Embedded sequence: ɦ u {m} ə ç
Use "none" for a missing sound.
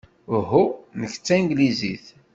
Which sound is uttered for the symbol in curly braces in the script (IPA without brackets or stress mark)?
n